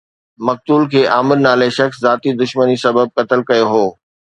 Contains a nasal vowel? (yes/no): no